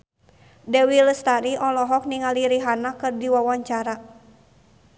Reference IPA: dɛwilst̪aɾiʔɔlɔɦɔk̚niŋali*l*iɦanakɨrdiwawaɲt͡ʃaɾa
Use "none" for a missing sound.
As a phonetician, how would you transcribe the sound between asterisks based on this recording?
ɾ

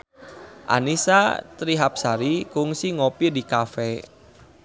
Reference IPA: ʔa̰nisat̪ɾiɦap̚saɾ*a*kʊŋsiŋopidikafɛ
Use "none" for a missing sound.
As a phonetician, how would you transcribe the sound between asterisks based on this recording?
i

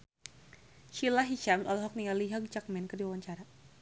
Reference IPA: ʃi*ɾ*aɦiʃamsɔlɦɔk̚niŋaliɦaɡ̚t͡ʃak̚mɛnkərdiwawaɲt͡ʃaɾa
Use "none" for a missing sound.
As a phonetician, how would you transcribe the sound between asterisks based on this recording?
l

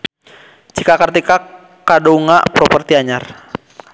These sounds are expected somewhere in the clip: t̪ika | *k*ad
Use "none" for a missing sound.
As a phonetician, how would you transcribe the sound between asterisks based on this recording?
k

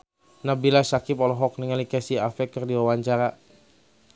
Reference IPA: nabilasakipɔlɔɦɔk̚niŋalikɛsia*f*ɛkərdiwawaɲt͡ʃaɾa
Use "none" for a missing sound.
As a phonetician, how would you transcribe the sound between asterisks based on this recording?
f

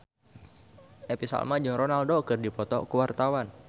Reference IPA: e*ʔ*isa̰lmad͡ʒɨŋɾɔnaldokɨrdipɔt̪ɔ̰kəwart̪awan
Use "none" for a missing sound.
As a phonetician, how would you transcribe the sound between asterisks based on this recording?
p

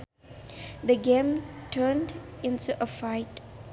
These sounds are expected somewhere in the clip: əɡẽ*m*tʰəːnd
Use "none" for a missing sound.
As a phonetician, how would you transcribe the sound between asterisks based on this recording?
m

